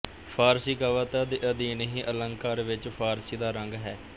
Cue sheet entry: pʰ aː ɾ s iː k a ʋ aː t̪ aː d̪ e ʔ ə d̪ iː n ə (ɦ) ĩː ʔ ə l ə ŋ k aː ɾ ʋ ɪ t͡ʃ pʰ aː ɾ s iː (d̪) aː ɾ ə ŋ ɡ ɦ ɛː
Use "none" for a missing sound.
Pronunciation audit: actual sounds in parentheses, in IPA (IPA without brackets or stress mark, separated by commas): ɦ, d̪